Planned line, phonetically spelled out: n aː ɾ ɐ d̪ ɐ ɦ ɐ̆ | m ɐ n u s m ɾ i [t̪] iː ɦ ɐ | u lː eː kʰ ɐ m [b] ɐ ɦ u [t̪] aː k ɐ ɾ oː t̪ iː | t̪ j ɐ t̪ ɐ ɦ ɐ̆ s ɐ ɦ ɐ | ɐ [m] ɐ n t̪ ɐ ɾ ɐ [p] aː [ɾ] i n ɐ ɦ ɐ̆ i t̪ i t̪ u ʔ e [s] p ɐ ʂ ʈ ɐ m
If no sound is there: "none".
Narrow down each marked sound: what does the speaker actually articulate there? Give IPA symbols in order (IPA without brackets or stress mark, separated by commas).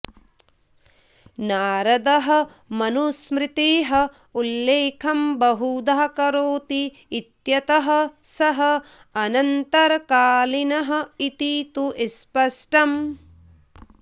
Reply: t̪, b, d̪, n, k, l, s